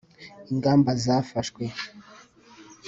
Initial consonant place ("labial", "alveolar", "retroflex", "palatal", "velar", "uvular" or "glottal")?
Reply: velar